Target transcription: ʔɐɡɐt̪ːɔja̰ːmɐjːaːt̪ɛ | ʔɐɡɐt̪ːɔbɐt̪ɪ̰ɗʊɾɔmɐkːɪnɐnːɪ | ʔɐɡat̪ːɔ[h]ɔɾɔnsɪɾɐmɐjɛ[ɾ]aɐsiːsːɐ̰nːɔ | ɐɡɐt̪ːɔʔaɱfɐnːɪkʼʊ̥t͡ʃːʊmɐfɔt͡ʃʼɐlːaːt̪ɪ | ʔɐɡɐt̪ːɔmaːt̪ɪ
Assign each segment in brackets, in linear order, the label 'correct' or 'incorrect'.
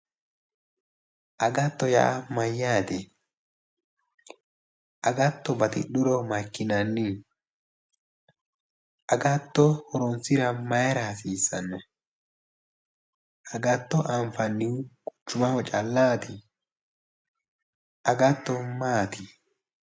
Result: correct, correct

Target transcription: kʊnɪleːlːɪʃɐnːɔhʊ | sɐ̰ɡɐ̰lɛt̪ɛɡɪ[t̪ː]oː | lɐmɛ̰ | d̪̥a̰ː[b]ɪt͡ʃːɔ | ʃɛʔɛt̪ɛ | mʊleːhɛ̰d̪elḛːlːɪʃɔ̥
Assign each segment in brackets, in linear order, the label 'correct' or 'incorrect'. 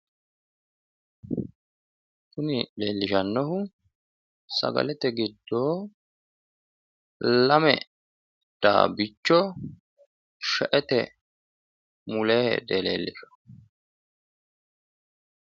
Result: incorrect: d̪ː, correct

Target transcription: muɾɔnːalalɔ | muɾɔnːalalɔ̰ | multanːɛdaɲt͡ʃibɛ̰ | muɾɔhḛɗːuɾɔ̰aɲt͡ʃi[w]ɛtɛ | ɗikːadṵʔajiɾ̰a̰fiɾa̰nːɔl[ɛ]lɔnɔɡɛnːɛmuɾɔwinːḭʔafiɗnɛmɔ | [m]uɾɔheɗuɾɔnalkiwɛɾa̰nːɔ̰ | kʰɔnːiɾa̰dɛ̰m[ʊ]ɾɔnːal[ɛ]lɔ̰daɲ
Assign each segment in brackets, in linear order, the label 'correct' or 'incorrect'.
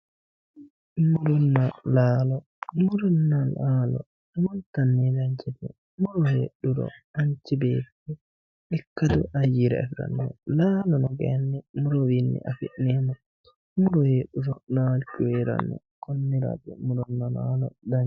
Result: incorrect: b, incorrect: a, correct, incorrect: u, incorrect: a

